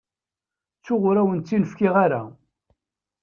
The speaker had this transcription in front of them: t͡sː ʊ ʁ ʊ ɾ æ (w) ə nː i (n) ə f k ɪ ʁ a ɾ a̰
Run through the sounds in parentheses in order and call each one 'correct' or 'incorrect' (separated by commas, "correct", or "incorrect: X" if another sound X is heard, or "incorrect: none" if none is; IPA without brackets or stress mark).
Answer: correct, correct